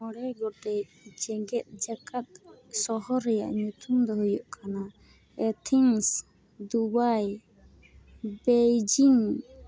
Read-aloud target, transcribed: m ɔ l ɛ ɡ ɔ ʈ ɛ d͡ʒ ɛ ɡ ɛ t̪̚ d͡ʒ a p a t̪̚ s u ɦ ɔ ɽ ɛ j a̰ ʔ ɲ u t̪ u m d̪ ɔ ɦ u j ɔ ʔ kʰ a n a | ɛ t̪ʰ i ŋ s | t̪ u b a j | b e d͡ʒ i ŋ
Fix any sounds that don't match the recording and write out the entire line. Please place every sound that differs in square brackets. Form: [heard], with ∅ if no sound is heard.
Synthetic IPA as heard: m ɔ [ɽ] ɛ ɡ ɔ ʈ ɛ d͡ʒ ɛ ɡ ɛ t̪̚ d͡ʒ a [k] a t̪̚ s [ɔ] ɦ ɔ [ɾ] ɛ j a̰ ʔ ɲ u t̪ u m d̪ ɔ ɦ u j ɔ ʔ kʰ a n a | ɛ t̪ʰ i ŋ s | [d̪] u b a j | b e d͡ʒ i ŋ